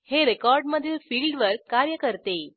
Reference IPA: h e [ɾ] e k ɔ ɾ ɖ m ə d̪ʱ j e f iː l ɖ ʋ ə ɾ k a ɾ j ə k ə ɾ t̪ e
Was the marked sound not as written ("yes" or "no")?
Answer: no